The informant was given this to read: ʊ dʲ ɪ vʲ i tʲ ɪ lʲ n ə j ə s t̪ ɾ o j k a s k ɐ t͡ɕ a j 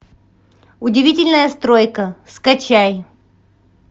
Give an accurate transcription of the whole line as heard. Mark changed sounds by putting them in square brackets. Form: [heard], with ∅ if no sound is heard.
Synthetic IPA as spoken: ʊ dʲ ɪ vʲ i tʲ ɪ lʲ n ə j ə s t̪ ɾ o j k [ə] s k ɐ t͡ɕ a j